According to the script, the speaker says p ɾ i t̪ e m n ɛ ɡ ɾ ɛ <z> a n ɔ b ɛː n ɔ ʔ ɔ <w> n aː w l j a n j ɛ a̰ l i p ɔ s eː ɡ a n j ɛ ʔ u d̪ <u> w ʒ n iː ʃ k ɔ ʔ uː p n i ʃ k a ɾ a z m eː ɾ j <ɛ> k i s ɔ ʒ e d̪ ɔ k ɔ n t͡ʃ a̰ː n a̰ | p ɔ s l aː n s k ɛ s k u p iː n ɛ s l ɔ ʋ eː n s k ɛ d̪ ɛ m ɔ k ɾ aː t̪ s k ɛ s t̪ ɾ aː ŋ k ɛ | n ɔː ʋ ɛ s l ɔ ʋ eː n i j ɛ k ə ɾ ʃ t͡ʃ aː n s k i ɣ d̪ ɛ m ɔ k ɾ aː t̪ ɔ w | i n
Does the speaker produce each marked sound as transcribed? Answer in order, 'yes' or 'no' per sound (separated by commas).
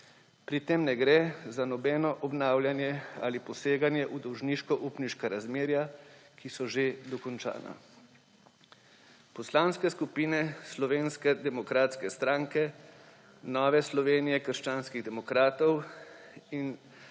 yes, no, no, no